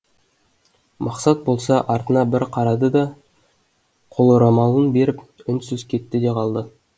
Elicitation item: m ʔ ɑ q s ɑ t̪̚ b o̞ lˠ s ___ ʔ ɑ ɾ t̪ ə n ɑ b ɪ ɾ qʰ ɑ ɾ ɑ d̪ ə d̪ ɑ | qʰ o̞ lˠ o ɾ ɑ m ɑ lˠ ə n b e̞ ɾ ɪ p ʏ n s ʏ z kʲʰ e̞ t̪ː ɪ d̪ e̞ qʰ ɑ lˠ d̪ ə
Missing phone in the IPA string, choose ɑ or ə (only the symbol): ɑ